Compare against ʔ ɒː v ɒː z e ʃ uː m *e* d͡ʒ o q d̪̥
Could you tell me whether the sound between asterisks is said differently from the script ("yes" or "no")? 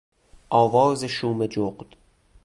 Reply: no